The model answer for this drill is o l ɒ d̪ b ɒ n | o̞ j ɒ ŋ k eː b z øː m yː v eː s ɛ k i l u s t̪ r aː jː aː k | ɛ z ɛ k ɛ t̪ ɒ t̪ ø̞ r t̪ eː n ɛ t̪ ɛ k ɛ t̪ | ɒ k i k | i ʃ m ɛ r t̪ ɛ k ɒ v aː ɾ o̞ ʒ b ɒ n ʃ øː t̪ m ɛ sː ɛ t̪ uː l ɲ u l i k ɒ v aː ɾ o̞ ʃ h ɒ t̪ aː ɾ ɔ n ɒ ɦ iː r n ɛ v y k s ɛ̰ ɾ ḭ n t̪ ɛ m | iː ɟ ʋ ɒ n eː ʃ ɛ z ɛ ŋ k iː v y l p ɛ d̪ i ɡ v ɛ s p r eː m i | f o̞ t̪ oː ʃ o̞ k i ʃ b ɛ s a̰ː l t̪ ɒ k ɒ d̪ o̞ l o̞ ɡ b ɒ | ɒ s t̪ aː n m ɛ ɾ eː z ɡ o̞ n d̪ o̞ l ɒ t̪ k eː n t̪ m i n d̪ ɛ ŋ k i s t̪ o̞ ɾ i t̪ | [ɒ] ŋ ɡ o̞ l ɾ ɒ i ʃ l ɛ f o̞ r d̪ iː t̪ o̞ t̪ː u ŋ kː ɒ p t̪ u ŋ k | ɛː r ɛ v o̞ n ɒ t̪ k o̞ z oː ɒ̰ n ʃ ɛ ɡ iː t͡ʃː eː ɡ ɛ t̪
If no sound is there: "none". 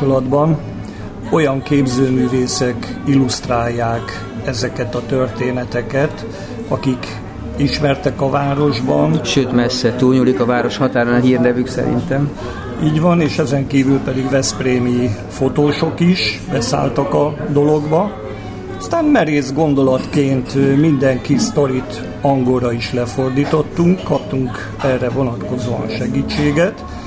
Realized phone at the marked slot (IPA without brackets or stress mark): ɒ